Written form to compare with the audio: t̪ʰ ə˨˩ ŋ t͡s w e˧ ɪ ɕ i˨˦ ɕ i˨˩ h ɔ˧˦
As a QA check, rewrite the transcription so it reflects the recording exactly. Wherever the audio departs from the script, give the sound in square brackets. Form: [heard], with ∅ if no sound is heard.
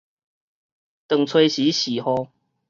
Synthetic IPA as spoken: [t̪] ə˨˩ ŋ [t͡sʰ] w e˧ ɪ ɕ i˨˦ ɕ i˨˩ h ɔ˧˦